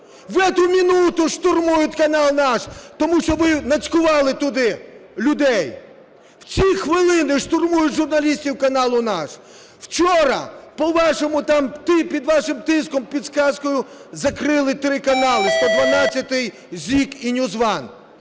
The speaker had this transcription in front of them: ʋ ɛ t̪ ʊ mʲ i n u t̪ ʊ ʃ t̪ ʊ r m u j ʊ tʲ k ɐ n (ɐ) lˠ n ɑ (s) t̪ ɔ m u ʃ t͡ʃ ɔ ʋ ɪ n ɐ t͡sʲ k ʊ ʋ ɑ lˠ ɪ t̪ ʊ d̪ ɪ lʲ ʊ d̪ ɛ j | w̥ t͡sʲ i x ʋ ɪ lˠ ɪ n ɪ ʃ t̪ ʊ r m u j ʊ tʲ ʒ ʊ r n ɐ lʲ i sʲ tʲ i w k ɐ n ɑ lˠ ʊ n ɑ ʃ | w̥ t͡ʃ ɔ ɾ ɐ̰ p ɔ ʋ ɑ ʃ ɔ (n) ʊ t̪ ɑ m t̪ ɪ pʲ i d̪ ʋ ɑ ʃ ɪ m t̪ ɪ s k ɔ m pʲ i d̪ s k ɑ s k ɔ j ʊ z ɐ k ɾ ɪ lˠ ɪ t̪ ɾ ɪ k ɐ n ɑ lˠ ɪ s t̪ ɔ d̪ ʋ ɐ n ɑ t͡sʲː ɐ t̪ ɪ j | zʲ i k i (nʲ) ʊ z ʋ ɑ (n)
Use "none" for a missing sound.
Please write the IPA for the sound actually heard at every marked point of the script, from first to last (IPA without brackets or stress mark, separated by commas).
ɑ, ʃ, m, nʲ, n